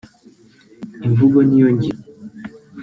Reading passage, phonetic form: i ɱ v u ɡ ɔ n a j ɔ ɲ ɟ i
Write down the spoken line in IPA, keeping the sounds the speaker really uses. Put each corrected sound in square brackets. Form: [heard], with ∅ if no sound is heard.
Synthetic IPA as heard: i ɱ v u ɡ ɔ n [i] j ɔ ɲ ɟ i